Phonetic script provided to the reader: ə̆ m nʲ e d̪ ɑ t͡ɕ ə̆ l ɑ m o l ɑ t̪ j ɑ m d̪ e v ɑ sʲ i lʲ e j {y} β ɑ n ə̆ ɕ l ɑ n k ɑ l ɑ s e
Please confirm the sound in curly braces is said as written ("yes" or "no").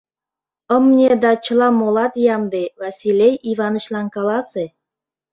no